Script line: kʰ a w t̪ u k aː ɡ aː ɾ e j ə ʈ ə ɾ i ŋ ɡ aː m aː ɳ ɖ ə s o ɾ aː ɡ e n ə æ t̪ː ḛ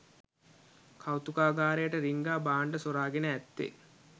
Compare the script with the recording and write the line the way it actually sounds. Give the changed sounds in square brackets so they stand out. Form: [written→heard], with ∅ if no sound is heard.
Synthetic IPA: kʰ a w t̪ u k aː ɡ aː ɾ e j ə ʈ ə ɾ i ŋ ɡ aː [m→b] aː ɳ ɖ ə s o ɾ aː ɡ e n ə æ t̪ː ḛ